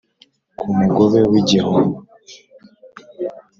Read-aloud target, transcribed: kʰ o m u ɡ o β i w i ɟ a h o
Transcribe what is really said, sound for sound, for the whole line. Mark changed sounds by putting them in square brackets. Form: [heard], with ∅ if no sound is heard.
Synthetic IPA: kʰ [u] m u ɡ o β [e] w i ɟ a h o